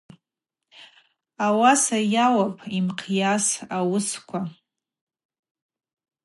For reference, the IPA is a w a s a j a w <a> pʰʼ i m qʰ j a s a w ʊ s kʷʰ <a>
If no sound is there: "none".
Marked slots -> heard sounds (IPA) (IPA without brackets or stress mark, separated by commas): a, a